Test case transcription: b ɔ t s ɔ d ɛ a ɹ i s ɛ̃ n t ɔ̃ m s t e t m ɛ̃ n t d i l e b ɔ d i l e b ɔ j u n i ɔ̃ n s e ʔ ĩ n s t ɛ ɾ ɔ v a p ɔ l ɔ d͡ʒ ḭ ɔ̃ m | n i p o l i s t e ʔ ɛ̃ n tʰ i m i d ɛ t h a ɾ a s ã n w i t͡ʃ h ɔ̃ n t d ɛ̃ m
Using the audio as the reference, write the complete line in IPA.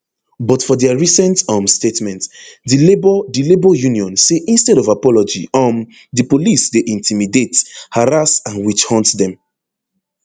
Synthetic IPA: b ɔ t f ɔ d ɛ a ɹ i s ɛ̃ n t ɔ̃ m s t e t m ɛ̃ n t d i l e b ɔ d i l e b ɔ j u n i ɔ̃ n s e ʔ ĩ n s t ɛ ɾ ɔ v a p ɔ l ɔ d͡ʒ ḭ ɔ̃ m | d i p o l i s d e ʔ ĩ n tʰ i m i d e t h a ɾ a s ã n w i t͡ʃ h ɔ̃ n t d ɛ̃ m